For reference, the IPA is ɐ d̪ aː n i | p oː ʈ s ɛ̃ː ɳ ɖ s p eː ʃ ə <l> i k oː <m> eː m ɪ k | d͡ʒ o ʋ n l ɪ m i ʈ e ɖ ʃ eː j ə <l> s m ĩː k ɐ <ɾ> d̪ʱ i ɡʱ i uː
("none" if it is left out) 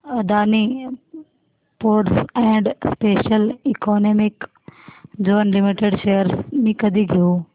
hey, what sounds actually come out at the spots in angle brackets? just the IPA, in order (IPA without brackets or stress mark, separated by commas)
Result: l, n, ɾ, none